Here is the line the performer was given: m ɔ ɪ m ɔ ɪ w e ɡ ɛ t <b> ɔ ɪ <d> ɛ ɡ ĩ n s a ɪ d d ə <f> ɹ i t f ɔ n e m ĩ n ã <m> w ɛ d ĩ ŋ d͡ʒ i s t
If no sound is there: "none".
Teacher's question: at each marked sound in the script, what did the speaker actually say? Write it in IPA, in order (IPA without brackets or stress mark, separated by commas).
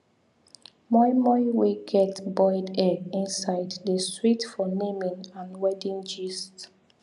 b, d, s, n